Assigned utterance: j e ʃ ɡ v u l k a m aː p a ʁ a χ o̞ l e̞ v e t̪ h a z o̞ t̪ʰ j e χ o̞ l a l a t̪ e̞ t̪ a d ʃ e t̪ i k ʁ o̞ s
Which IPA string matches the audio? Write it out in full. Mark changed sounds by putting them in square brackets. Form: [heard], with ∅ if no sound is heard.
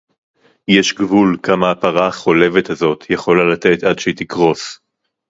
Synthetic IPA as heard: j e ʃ ɡ v u l k a m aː p a ʁ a χ o̞ l e̞ v e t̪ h a z o̞ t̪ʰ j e χ o̞ l a l a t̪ e̞ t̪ a d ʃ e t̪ i k ʁ o̞ s